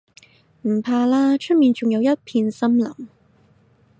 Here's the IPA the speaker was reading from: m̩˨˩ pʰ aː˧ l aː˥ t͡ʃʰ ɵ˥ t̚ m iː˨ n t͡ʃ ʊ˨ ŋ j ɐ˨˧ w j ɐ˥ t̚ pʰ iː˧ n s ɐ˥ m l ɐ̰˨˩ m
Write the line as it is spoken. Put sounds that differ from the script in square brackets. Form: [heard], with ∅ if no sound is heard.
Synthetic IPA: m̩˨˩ pʰ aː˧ l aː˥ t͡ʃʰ ɵ˥ t̚ m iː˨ n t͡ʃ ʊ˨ ŋ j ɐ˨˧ w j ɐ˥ t̚ pʰ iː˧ n s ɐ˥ m l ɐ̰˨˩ m